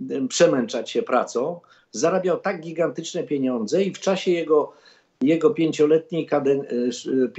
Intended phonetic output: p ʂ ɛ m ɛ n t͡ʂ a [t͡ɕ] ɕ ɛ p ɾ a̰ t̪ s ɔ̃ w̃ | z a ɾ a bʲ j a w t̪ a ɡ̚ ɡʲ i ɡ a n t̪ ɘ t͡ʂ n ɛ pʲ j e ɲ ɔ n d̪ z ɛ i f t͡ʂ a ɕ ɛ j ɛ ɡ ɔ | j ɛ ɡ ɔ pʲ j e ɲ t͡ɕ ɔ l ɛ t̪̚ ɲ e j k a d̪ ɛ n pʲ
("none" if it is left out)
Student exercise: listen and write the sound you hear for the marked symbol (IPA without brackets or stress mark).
t͡ɕ